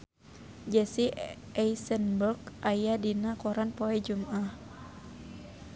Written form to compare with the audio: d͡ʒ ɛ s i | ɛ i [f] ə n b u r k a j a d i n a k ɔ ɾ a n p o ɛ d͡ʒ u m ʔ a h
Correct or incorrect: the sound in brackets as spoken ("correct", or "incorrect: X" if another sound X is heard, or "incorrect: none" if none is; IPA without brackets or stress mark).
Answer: incorrect: s